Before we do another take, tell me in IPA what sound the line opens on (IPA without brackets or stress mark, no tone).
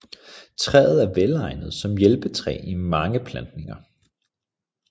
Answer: t͡sʰ